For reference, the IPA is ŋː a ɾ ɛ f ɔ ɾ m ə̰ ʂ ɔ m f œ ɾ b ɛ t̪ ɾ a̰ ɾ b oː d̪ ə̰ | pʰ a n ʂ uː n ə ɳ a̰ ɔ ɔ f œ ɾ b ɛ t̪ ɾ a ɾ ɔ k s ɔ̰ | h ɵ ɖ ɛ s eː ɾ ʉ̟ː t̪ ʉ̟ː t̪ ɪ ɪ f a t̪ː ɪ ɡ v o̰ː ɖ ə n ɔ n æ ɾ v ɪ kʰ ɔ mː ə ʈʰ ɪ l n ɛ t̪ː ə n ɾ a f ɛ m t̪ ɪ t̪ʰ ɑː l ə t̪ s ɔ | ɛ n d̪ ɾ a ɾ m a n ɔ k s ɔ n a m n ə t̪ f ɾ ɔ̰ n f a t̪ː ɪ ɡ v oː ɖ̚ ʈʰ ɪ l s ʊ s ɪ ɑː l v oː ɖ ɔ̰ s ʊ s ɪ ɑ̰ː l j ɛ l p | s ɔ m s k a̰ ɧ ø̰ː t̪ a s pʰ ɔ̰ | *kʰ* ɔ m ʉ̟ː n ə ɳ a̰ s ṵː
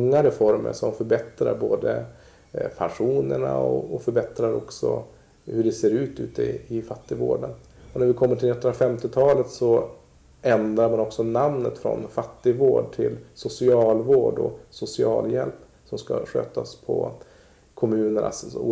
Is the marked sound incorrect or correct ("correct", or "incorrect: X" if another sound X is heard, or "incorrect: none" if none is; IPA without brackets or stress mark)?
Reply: correct